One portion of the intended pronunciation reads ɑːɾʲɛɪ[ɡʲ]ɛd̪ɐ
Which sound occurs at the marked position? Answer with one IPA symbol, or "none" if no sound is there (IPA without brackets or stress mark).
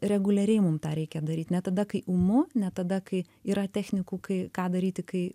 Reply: kʲ